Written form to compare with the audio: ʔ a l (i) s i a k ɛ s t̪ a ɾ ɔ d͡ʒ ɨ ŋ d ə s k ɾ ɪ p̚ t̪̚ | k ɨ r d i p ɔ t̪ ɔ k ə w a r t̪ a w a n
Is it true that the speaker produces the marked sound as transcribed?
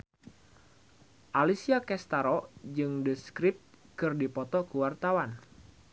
yes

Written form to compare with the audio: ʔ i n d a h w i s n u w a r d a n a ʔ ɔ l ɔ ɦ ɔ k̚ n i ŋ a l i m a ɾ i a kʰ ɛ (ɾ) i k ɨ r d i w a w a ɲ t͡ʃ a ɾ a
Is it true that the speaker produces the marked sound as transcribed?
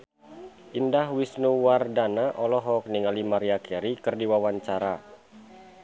yes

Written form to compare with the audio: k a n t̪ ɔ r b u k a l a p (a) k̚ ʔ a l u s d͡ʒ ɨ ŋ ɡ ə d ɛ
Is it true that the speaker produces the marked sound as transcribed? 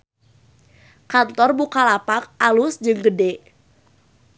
yes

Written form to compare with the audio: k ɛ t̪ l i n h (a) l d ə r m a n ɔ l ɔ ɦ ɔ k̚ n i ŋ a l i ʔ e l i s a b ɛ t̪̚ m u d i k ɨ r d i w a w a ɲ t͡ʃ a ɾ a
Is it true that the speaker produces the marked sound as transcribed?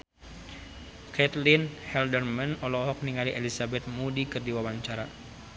no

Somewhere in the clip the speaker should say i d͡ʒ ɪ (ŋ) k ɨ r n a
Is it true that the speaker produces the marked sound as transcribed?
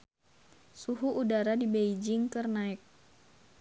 yes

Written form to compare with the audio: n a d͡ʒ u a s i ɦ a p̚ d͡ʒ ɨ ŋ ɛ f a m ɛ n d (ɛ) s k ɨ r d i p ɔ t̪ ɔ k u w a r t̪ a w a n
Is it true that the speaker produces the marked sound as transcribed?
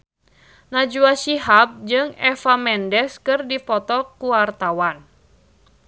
yes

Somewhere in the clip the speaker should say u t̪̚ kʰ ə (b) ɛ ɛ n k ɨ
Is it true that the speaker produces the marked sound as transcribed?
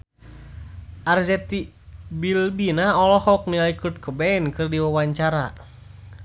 yes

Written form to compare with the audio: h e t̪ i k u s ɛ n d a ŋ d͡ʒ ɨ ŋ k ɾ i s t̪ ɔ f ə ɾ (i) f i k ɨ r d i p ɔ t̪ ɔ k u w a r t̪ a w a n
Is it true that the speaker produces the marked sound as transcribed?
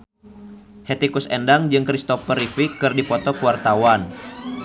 yes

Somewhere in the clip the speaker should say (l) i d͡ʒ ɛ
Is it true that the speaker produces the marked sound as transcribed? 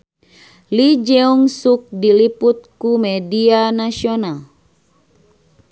yes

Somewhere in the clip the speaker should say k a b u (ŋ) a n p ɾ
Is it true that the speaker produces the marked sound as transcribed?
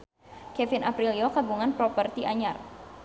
yes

